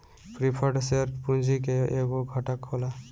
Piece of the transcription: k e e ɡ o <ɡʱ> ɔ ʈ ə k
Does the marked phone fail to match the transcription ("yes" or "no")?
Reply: no